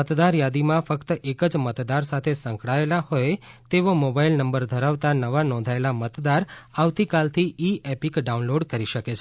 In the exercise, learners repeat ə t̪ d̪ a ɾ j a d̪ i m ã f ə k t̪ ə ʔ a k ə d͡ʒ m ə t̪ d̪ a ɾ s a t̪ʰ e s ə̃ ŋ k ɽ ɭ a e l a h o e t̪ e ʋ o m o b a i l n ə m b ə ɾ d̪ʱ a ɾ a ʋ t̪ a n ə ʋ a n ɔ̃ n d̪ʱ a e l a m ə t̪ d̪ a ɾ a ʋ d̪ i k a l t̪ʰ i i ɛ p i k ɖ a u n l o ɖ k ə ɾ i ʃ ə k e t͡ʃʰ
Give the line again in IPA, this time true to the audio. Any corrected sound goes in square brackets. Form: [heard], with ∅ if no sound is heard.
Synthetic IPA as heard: ə t̪ d̪ a ɾ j a d̪ i m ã f ə k t̪ ə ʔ [e] k ə d͡ʒ m ə t̪ d̪ a ɾ s a t̪ʰ e s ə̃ ŋ k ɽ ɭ a e l a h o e t̪ e ʋ o m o b a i l n ə m b ə ɾ d̪ʱ [ə] ɾ a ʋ t̪ a n ə ʋ a n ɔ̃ n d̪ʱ a e l a m ə t̪ d̪ a ɾ a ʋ [t̪] i k a l t̪ʰ i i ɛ p i k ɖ a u n l o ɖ k ə ɾ i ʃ ə k e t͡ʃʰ

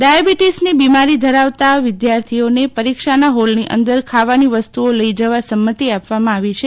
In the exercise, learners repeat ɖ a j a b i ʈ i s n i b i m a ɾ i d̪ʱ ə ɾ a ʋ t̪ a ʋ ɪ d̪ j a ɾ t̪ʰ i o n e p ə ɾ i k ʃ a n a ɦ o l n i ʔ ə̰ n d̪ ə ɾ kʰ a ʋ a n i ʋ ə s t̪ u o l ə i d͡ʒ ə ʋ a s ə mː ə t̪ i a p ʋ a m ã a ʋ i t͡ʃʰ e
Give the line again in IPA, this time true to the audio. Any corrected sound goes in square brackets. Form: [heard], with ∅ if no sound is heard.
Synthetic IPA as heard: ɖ a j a b i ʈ i s n i b i m a ɾ i d̪ʱ ə ɾ a ʋ t̪ a ʋ ɪ d̪ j a ɾ t̪ʰ i o n e p ə ɾ i k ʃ a n a ɦ o l n i ʔ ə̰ n d̪ ə ɾ kʰ a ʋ a n i ʋ ə s t̪ u o l ə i d͡ʒ ə ʋ a s ə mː ə t̪ i a p ʋ a m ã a ʋ i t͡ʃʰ e

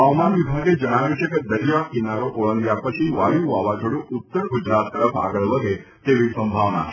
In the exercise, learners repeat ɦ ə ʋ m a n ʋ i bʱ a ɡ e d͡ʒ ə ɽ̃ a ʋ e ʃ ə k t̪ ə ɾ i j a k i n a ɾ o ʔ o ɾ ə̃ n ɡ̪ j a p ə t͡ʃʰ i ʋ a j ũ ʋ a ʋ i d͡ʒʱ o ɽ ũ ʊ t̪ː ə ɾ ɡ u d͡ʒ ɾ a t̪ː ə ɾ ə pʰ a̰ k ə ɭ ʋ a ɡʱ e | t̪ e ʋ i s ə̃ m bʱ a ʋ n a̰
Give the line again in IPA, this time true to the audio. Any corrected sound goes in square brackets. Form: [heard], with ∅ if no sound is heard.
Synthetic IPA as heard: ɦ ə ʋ m a n ʋ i bʱ a ɡ e d͡ʒ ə ɽ̃ a ʋ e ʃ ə k [d̪] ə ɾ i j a k i n a ɾ o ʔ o [ɭ] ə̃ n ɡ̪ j a p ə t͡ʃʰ i ʋ a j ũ ʋ a ʋ [a] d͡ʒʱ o ɽ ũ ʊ t̪ː ə ɾ ɡ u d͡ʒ ɾ a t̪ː ə ɾ ə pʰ a̰ [ɡ] ə ɭ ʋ [ə] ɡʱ e | t̪ e ʋ i s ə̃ m bʱ a ʋ n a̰

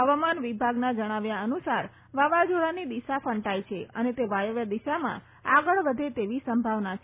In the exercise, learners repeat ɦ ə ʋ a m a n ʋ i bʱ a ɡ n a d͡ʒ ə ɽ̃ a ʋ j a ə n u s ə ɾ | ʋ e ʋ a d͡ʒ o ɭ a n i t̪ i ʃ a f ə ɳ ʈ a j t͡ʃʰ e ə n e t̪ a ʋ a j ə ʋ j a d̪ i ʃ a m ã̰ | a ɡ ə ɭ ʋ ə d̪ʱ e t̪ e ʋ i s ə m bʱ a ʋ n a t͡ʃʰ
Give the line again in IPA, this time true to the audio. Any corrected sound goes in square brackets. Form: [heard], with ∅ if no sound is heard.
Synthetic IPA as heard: ɦ ə ʋ a m a n ʋ i bʱ a ɡ n a d͡ʒ ə ɽ̃ a ʋ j a ə n u s [a] ɾ | ʋ [a] ʋ a d͡ʒ o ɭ a n i [d̪] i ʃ a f ə ɳ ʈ a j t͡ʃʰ e ə n e t̪ [e] ʋ a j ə ʋ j a d̪ i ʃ a m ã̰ | a ɡ ə ɭ ʋ ə d̪ʱ e t̪ e ʋ i s ə m bʱ a ʋ n a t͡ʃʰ

